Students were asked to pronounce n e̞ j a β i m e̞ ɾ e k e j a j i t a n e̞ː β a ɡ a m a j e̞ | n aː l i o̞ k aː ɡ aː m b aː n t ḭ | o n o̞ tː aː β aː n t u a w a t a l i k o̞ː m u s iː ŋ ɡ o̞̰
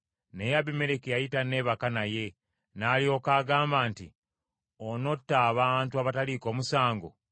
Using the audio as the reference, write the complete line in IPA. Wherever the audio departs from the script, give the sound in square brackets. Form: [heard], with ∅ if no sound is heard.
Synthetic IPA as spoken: n e̞ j a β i m e̞ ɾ e k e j a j i t a n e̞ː β a [k] a [n] a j e̞ | n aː l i o̞ k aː ɡ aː m b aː n t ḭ | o n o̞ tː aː β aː n t u a [β] a t a l i k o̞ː m u s [aː] ŋ ɡ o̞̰